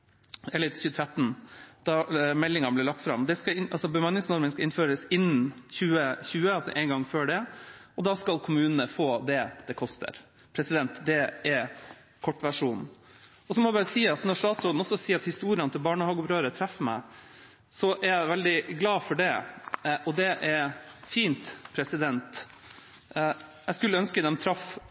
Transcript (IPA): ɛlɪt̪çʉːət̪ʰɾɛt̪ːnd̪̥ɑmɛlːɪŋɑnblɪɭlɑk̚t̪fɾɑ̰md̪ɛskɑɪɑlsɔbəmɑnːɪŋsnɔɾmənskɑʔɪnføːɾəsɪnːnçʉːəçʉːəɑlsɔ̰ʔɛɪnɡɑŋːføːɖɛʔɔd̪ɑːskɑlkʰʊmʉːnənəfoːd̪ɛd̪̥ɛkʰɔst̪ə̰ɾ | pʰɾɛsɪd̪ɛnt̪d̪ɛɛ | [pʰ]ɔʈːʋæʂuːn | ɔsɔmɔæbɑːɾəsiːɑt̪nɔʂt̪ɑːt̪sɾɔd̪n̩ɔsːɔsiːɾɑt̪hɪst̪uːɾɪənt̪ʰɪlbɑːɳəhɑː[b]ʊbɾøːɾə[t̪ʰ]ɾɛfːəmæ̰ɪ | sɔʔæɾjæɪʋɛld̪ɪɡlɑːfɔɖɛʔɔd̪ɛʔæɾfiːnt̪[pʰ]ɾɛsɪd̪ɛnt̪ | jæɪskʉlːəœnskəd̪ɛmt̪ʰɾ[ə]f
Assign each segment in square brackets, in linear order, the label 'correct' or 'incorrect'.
incorrect: kʰ, incorrect: ɡ, correct, correct, incorrect: ɑ

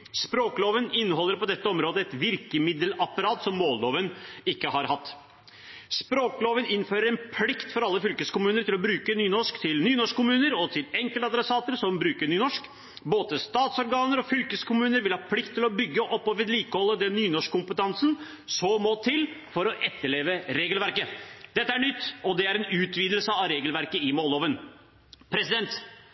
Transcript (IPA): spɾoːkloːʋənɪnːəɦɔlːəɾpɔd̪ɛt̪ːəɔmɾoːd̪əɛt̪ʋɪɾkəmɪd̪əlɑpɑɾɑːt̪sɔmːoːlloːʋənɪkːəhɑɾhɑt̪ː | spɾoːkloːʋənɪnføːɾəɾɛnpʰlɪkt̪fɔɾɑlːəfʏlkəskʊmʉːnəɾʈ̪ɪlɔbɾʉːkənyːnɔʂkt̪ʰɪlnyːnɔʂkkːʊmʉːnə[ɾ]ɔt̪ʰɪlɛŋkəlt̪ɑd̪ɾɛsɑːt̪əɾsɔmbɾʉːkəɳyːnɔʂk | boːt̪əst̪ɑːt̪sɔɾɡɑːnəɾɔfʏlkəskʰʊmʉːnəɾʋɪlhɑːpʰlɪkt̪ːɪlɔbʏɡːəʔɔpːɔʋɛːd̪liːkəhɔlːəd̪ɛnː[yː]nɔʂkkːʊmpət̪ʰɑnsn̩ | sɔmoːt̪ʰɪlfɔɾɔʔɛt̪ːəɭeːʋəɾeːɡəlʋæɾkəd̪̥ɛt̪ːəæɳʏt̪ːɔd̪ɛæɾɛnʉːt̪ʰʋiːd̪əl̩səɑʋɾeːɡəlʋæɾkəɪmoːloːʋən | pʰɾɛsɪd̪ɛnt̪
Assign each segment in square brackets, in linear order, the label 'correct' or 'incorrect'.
correct, correct

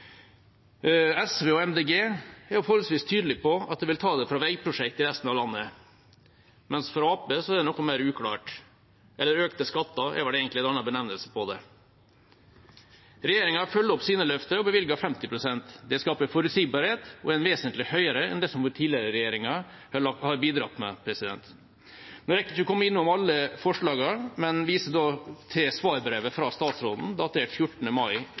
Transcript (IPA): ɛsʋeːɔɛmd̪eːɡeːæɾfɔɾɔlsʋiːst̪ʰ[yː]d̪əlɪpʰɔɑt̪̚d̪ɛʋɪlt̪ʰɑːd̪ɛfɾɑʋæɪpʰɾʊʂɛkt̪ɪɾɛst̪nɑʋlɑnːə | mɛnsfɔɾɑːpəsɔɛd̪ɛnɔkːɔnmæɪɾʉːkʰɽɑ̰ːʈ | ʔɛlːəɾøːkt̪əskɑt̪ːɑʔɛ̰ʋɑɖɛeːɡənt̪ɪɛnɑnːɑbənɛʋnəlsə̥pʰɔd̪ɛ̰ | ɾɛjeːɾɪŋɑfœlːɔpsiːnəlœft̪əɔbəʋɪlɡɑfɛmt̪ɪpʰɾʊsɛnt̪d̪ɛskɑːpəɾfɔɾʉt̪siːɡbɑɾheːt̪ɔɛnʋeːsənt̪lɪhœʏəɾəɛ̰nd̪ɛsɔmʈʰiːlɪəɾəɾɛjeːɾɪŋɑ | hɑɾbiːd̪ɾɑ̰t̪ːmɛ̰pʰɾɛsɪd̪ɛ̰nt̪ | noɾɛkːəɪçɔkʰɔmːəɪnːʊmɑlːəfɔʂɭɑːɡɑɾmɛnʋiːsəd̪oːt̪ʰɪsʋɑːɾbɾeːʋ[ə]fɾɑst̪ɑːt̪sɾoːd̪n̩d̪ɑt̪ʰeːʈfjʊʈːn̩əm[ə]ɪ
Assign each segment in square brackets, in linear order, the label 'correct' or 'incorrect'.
correct, correct, incorrect: ɑ

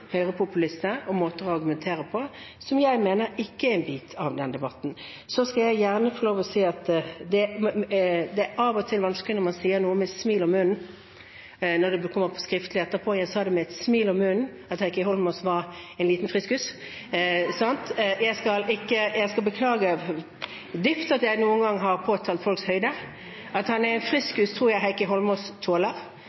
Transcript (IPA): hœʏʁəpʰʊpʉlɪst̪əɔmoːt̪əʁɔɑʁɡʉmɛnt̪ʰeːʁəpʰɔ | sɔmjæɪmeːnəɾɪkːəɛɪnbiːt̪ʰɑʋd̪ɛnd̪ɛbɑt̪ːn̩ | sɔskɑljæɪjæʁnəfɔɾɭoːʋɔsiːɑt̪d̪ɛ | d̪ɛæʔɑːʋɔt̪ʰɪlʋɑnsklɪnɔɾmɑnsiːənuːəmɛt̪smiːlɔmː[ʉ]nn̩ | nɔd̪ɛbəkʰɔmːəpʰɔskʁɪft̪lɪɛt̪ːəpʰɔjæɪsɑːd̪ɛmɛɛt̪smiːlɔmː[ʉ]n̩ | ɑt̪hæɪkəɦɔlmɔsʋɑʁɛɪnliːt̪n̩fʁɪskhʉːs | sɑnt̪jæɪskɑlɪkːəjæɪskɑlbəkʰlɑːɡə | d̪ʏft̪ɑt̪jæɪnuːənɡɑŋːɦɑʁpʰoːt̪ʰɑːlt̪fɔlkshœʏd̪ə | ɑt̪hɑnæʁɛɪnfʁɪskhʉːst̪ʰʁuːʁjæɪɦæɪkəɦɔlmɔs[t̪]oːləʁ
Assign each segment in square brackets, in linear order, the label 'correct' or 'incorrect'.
correct, correct, incorrect: t̪ʰ

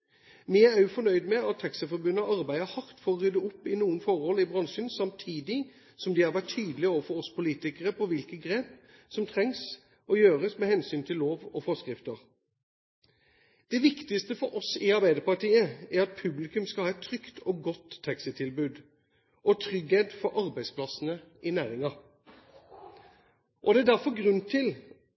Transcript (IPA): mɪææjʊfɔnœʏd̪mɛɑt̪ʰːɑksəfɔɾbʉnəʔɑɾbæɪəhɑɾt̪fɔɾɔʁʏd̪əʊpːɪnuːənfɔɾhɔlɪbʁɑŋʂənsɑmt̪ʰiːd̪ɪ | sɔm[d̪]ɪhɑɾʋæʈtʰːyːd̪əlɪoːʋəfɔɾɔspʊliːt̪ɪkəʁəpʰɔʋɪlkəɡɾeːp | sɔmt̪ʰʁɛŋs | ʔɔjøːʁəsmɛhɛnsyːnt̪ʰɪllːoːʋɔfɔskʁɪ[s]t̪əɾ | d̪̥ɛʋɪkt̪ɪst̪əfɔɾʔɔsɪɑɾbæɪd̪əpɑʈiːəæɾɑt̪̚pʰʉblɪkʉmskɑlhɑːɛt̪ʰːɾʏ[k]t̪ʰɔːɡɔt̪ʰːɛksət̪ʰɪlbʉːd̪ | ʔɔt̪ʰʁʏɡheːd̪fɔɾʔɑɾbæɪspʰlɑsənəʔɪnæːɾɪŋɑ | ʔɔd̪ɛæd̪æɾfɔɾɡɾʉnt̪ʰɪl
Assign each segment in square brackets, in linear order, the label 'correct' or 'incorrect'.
correct, incorrect: f, correct

